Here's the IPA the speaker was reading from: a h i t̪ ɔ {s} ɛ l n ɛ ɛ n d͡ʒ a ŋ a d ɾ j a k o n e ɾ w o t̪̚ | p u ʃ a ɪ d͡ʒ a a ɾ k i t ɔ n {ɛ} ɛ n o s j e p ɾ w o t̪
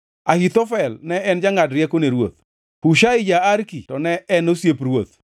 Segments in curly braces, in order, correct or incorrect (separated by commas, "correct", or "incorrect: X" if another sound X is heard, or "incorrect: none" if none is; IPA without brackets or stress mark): incorrect: f, correct